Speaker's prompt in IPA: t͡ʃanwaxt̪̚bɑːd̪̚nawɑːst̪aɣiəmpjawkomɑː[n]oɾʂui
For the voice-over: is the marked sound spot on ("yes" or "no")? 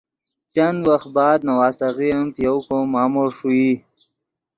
no